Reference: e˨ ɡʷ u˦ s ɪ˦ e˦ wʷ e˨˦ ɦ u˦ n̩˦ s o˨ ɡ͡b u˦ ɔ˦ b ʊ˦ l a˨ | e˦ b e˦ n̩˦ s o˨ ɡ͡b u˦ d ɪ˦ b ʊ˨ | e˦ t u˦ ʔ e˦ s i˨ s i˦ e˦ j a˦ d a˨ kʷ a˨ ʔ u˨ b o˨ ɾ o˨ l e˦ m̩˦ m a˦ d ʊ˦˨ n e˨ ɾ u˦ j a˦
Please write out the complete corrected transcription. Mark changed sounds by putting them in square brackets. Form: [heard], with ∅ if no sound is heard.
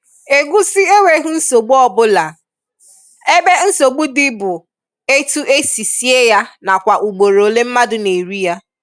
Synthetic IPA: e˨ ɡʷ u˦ s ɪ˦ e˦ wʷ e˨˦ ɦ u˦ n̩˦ s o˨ ɡ͡b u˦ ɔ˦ b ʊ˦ l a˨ | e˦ b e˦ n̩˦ s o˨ ɡ͡b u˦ d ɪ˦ b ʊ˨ | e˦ t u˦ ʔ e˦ s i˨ s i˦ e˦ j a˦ [n] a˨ kʷ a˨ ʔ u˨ [ɡ͡b] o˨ ɾ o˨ l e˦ m̩˦ m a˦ d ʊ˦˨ n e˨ ɾ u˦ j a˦